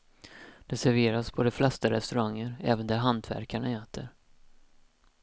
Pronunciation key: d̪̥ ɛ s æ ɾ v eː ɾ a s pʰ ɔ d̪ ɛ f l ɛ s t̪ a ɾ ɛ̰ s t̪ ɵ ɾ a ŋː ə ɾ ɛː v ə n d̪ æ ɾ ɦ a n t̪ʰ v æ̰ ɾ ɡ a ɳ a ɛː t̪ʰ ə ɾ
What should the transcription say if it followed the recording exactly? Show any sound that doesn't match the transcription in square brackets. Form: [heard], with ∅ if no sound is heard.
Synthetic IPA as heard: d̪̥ ɛ s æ ɾ v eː ɾ a s pʰ ɔ d̪ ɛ f l ɛ s t̪ a ɾ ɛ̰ s t̪ ɵ ɾ a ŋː ə ɾ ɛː v ə n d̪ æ ɾ ɦ a n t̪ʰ v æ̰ ɾ [k] a ɳ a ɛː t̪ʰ ə ɾ